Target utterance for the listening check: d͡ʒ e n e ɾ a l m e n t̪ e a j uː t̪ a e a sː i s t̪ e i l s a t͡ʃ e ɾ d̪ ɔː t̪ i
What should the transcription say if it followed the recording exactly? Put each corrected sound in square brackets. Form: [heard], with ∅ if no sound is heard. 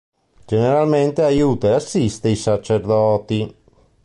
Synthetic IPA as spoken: d͡ʒ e n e ɾ a l m e n t̪ e a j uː t̪ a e a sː i s t̪ e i [∅] s a t͡ʃ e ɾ d̪ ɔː t̪ i